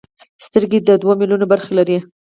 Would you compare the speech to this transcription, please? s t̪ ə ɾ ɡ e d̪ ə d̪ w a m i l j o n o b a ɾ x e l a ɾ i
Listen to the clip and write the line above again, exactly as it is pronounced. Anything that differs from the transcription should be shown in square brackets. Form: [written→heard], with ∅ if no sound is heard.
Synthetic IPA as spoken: s t̪ ə ɾ ɡ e d̪ ə d̪ w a m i l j [o→u] n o b a ɾ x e l a ɾ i